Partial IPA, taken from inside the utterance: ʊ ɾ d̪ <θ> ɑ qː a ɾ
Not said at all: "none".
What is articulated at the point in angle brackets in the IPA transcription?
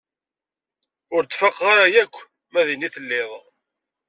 f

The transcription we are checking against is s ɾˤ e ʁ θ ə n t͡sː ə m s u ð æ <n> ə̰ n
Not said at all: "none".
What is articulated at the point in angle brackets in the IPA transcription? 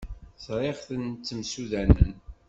n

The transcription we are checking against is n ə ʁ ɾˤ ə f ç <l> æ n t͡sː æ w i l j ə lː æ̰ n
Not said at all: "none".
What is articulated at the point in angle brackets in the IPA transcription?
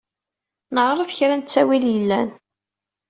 ɾ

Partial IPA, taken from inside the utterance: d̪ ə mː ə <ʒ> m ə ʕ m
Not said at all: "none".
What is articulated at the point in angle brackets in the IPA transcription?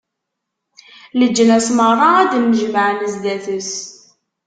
ʒ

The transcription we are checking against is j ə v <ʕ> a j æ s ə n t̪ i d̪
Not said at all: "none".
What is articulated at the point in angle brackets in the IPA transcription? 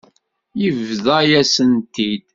ð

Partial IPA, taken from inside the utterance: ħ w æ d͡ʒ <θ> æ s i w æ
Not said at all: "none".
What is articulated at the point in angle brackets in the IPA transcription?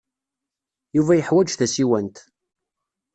θ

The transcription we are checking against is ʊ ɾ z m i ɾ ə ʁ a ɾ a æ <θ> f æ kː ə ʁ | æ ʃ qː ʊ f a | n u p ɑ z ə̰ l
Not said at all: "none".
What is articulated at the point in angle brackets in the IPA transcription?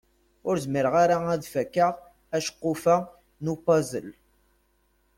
ð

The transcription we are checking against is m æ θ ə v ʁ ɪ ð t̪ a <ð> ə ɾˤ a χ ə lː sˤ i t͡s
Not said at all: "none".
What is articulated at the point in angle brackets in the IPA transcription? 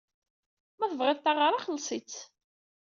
ʁ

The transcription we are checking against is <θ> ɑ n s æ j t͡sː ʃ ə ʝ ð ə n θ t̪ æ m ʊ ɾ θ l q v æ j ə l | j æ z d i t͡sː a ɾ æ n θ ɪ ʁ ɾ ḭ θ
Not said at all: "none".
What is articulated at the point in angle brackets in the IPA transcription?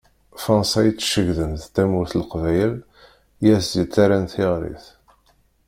f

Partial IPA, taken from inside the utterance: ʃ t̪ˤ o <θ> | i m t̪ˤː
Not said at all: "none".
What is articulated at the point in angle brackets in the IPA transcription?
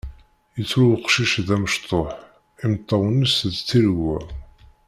ħ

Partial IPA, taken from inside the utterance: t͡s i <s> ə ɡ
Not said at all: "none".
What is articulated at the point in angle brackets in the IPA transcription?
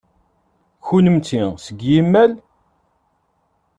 s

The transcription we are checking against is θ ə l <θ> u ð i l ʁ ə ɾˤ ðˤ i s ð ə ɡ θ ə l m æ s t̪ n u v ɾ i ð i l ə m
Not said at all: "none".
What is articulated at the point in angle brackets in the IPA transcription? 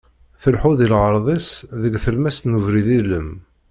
ħ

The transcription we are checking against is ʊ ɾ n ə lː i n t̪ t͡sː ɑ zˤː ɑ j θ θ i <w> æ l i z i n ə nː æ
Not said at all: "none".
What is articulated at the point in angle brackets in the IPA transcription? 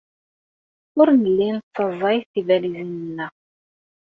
v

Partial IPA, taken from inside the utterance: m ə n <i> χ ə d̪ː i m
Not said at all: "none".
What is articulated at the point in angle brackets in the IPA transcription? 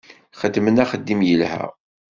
æ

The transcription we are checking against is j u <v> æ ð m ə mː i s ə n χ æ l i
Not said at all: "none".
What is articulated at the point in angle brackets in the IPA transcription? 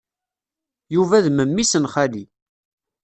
v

